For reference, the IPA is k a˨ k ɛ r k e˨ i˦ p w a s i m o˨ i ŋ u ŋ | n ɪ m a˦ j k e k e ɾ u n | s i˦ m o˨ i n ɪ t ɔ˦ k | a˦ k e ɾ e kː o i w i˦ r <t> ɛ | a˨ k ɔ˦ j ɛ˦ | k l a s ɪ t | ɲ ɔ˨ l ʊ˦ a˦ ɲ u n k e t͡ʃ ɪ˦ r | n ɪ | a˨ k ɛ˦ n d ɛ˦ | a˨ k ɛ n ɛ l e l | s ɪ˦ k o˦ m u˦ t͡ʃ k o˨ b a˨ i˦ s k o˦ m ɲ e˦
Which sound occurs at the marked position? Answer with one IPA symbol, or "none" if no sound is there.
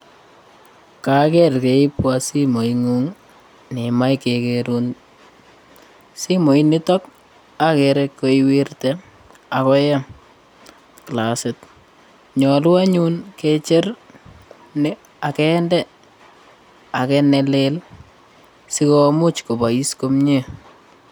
t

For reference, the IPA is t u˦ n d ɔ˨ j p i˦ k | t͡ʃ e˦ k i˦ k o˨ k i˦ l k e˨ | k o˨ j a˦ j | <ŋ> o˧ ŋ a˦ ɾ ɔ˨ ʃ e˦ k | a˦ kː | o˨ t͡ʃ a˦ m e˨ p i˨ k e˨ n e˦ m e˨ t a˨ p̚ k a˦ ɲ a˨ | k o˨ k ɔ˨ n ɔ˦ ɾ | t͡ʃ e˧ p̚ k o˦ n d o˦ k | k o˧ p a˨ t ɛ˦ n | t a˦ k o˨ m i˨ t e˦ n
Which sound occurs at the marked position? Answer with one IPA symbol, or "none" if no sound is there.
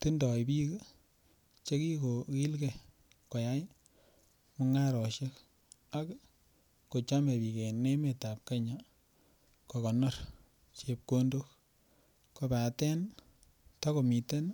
m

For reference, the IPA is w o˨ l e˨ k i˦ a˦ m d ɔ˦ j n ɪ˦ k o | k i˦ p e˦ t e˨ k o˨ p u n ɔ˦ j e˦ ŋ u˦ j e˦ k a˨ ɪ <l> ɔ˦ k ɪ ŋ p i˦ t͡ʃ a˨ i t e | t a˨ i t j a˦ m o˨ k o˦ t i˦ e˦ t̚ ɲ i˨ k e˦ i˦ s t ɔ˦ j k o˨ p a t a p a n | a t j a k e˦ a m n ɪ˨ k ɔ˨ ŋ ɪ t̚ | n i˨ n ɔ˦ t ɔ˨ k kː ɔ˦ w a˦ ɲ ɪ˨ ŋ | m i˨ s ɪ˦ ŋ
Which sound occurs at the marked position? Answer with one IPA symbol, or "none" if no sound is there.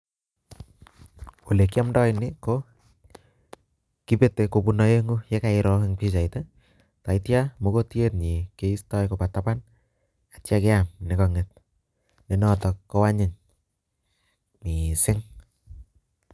ɾ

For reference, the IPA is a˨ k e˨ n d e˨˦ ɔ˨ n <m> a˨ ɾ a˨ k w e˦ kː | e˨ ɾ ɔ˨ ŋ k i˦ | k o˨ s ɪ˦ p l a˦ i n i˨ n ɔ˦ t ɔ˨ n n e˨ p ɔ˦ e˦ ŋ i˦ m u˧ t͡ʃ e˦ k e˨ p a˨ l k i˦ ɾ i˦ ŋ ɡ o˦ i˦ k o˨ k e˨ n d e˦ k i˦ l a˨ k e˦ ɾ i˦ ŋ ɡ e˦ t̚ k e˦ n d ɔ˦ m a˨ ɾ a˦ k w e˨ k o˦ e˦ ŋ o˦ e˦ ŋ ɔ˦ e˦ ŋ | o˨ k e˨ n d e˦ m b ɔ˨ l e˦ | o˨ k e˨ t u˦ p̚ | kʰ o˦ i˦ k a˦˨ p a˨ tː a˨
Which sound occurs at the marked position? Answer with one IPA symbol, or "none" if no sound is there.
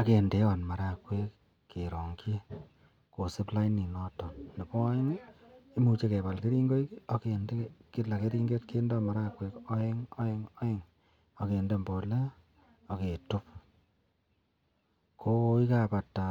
m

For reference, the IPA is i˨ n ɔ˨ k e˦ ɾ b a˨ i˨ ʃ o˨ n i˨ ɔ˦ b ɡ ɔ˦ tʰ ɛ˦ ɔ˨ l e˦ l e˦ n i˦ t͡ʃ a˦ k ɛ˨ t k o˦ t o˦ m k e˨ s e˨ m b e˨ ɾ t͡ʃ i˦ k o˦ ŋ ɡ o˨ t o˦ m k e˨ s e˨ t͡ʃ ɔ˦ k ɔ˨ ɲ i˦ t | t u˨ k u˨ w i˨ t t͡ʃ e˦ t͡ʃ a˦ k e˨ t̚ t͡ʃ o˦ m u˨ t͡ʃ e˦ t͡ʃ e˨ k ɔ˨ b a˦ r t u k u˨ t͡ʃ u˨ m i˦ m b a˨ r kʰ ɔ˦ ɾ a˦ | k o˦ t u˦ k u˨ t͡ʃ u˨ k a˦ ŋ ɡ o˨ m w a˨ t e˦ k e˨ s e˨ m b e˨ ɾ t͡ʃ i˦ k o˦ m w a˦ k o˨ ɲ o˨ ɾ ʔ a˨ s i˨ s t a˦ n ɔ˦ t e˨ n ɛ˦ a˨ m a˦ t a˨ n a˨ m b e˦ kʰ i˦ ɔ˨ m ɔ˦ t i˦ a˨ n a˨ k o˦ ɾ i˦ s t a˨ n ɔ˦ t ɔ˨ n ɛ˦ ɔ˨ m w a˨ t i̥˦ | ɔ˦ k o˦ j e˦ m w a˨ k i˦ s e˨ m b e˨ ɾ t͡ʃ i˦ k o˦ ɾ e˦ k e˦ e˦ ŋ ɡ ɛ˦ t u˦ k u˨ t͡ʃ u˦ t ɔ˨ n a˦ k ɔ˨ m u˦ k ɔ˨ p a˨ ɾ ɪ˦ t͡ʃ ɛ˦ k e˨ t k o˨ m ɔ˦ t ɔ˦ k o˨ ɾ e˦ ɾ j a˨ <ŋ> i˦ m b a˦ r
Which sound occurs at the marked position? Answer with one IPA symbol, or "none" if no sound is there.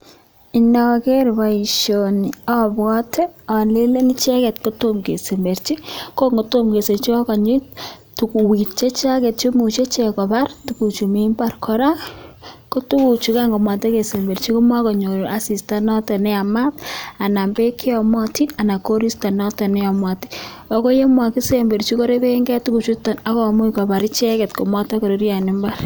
n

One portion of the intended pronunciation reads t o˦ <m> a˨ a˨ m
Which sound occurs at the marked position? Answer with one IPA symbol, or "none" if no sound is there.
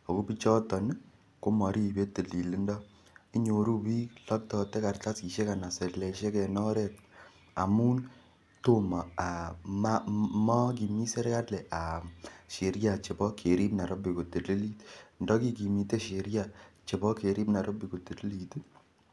m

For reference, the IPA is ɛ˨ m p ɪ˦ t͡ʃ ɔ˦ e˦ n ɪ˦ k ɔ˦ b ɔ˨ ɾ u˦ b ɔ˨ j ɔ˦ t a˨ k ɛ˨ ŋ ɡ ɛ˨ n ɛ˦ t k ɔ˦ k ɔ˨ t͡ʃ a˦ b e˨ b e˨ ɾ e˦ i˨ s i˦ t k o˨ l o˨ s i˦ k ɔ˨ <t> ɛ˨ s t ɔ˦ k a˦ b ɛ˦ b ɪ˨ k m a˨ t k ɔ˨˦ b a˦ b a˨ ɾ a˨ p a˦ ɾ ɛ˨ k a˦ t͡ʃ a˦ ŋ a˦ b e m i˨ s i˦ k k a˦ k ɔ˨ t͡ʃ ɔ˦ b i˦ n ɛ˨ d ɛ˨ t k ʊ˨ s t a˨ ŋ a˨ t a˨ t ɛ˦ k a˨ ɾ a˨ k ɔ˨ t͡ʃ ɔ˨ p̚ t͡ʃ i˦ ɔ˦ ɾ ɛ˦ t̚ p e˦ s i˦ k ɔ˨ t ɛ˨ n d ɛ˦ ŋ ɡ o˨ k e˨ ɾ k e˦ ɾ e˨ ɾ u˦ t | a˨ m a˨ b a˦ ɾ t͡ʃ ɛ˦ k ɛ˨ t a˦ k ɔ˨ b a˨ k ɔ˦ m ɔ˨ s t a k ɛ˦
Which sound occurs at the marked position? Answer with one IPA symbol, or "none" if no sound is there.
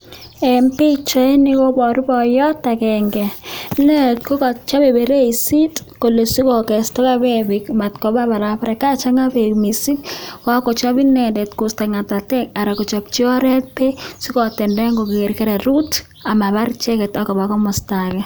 k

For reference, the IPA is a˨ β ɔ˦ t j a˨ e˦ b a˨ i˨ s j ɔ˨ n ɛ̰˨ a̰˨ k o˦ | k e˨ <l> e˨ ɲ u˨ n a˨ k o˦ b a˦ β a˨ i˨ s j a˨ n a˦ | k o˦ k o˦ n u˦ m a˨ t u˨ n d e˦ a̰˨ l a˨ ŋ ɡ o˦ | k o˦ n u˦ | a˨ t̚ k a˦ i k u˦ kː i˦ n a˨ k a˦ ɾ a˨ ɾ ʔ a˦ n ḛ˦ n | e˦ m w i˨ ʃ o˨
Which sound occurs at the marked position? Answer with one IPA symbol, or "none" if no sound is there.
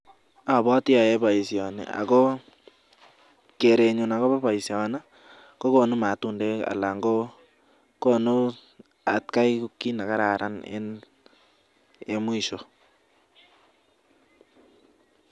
ɾ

